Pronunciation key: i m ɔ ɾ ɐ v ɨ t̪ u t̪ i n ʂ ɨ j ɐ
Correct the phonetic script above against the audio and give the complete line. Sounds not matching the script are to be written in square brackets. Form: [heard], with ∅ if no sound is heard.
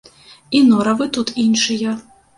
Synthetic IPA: i [n] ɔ ɾ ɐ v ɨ t̪ u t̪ i n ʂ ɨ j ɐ